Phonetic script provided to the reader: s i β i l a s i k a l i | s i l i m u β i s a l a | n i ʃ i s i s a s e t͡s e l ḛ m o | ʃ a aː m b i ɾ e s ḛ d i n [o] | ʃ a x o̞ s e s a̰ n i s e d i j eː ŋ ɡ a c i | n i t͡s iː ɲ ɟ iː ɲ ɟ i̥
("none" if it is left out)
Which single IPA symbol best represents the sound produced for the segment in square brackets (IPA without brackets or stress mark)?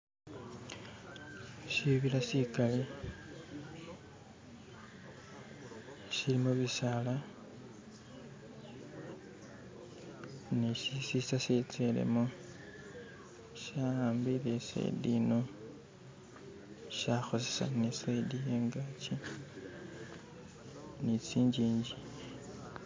o